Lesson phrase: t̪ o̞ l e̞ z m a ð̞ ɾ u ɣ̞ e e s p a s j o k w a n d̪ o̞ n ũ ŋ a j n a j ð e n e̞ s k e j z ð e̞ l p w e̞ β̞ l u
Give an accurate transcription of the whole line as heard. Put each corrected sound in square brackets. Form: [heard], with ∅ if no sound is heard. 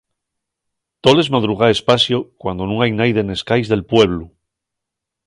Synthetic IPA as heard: t̪ o̞ l e̞ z m a ð̞ ɾ u ɣ̞ [a] e s p a s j o k w a n d̪ o̞ n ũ ŋ a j n a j ð e n e̞ s k [a] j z ð e̞ l p w e̞ β̞ l u

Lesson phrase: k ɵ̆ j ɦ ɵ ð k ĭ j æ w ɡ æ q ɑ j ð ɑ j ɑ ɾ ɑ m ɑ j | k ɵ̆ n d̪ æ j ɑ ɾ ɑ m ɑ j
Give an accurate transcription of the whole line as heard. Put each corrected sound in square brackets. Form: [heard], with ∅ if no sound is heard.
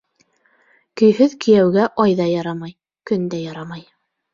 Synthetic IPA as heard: k ɵ̆ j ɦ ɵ ð k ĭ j æ w ɡ æ [ʔ] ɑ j ð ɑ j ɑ ɾ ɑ m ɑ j | k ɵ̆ n d̪ æ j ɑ ɾ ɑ m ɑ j

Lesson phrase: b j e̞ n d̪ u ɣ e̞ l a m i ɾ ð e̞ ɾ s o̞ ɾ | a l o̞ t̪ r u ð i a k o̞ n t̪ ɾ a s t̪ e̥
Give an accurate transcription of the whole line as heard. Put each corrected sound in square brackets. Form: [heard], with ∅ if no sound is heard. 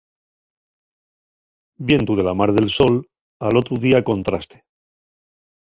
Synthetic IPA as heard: b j e̞ n [t̪] u [ð] e̞ l a m [a] ɾ ð e̞ [l] s o̞ [l] | a l o̞ t̪ [ɾ] u ð i a k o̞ n t̪ ɾ a s t̪ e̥

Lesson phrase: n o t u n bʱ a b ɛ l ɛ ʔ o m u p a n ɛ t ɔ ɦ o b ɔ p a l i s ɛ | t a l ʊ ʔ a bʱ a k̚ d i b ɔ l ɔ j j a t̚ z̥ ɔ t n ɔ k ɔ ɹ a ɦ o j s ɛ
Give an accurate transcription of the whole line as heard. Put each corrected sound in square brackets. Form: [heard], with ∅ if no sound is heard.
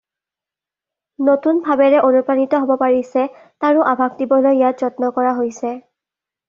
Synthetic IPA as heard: n o t u n bʱ a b ɛ [ɹ] ɛ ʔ o [n] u p a n [i] t ɔ ɦ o b ɔ p a [ɹ] i s ɛ | t a [ɹ] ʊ ʔ a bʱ a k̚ d i b ɔ l [o] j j a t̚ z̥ ɔ t n ɔ k ɔ ɹ a ɦ o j s ɛ

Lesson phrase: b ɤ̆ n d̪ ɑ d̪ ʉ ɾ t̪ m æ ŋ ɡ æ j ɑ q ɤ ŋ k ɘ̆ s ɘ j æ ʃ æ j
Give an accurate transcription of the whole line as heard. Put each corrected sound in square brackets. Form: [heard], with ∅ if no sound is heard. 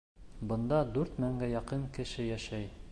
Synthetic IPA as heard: b ɤ̆ n d̪ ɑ d̪ ʉ ɾ t̪ m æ ŋ ɡ æ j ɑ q ɤ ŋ k ɘ̆ [ʃ] ɘ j æ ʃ æ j

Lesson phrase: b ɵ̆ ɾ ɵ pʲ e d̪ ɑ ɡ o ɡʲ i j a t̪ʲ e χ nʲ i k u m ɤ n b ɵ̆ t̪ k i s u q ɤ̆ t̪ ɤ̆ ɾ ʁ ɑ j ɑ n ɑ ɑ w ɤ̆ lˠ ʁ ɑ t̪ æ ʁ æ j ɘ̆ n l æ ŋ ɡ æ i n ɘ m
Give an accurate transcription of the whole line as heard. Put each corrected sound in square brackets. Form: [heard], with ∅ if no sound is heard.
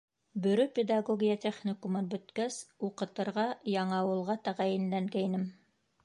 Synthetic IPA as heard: b ɵ̆ ɾ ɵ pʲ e d̪ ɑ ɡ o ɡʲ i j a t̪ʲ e χ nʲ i k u m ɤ n b ɵ̆ t̪ k [æ] s u q ɤ̆ t̪ ɤ̆ ɾ ʁ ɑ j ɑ [ɴ] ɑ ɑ w ɤ̆ lˠ ʁ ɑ t̪ æ ʁ æ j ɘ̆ n l æ ŋ ɡ æ i n ɘ m

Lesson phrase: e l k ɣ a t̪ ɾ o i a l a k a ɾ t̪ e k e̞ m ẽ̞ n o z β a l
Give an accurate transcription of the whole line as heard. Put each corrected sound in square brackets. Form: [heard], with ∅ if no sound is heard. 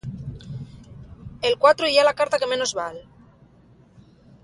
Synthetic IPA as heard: e l k [w] a t̪ ɾ o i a l a k a ɾ t̪ [a] k e̞ m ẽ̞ n o z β a l

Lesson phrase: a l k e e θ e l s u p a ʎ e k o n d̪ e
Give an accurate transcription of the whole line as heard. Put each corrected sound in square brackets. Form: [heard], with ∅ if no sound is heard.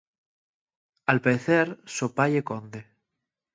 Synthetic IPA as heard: a l [p] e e θ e [ɾ] s [o] p a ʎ e k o n d̪ e

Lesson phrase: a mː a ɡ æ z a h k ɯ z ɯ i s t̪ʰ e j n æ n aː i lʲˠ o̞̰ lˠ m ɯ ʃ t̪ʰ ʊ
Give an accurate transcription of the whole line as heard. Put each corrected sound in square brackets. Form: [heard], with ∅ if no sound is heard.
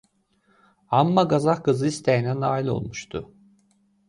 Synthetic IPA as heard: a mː a ɡ [a] z a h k ɯ z ɯ i s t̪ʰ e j n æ n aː i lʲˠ o̞̰ lˠ m [u] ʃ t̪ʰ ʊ

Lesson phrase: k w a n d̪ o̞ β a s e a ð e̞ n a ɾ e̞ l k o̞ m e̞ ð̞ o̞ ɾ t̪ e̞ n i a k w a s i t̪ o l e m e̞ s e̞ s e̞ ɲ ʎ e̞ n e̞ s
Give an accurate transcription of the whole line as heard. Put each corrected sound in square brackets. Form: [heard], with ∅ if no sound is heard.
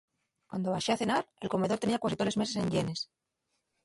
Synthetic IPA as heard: k w a n d̪ o̞ β a [ʃ] e a [θ] e̞ n a ɾ e̞ l k o̞ m e̞ ð̞ o̞ ɾ t̪ e̞ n i a k w a s i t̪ o l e m e̞ s e̞ s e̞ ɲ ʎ e̞ n e̞ s

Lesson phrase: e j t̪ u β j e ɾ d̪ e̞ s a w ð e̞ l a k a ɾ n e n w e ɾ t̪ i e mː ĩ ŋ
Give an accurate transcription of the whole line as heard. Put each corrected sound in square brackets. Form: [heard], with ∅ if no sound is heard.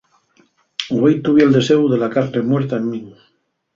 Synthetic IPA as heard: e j t̪ u β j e [l] d̪ e̞ s [e] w ð e̞ l a k a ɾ n e [m] w e ɾ t̪ [a] e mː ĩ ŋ

